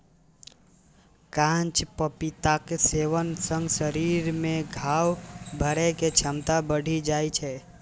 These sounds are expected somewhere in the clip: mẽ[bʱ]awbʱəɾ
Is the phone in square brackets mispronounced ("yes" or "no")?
yes